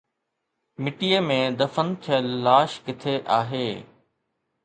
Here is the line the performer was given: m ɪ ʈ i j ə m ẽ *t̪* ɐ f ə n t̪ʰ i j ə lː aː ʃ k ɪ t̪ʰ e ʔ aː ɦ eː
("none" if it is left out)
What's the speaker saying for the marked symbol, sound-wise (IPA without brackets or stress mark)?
d̪